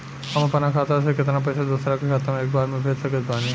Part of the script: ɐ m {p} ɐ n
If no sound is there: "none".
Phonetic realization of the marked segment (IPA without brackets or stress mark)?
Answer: p